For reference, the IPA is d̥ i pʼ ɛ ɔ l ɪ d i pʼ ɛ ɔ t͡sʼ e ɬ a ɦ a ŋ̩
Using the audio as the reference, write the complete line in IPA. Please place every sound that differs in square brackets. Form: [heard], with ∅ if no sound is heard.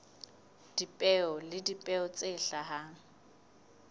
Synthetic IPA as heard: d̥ i pʼ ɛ ɔ l ɪ d i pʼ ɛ ɔ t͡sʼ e ɬ a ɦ a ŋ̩